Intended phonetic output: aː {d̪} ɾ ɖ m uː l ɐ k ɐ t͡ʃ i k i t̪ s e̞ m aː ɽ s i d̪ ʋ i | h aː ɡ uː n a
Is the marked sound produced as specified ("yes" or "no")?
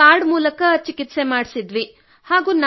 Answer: no